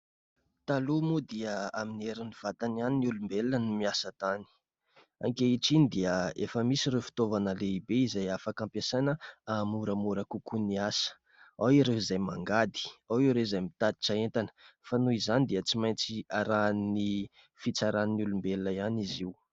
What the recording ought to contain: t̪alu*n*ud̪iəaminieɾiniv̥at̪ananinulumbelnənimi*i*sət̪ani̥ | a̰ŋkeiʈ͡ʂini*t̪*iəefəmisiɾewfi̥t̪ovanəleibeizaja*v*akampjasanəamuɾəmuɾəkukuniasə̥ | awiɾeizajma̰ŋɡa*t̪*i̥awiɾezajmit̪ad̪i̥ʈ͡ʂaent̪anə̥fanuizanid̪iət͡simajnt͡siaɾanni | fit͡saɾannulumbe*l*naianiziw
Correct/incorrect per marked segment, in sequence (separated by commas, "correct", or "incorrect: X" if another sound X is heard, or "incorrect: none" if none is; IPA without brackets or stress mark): incorrect: m, incorrect: a, incorrect: d̪, incorrect: f, incorrect: d̪, correct